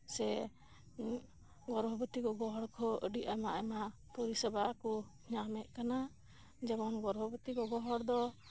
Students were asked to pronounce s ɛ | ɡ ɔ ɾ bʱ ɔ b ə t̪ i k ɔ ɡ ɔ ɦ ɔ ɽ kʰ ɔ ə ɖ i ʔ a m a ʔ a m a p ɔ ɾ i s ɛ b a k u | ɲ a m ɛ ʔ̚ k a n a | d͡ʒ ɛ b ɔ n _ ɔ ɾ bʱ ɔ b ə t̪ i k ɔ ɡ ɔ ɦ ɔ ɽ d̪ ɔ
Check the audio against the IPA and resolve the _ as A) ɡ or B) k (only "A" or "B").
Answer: A